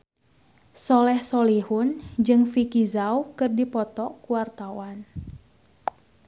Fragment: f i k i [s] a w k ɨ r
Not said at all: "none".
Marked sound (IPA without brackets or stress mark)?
z